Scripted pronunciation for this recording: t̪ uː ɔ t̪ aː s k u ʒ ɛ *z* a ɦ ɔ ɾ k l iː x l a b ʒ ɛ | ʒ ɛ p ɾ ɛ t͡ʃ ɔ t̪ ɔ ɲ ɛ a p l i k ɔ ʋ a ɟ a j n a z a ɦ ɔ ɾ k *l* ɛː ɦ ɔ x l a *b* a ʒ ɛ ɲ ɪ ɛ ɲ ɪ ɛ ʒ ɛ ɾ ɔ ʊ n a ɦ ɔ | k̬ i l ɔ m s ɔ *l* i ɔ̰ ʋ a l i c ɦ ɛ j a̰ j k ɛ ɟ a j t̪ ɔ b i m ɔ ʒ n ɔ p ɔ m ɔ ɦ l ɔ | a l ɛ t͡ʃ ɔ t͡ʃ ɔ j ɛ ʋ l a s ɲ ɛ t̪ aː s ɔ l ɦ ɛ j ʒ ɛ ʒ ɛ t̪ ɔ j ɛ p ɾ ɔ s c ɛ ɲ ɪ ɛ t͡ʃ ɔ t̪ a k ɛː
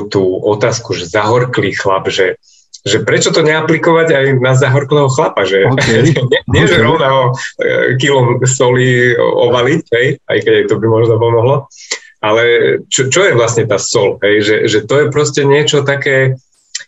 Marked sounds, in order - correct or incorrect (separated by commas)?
correct, correct, incorrect, correct